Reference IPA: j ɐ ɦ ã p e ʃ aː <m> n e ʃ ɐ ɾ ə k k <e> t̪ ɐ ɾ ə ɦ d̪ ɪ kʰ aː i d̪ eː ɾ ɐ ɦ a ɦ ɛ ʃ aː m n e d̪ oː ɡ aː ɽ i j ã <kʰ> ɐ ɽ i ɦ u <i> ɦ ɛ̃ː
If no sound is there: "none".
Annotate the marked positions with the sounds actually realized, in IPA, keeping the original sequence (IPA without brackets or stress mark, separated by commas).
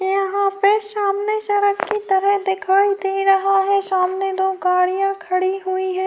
m, i, kʰ, i